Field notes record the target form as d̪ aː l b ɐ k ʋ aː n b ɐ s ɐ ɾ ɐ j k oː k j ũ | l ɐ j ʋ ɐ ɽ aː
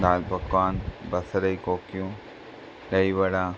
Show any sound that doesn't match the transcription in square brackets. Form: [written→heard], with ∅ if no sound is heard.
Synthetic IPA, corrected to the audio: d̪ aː l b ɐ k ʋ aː n b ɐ s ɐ ɾ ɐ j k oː k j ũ | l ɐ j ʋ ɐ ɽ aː